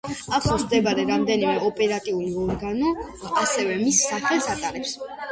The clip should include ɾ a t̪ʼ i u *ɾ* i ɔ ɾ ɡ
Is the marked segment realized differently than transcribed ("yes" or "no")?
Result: yes